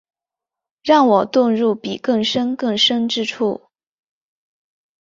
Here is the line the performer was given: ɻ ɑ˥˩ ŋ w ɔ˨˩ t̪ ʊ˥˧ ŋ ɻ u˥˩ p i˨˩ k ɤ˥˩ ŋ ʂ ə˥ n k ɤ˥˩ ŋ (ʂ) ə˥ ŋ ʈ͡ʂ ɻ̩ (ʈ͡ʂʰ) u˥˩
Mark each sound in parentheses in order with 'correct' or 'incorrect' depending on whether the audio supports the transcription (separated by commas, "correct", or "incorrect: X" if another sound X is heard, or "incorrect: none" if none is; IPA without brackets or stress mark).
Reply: correct, correct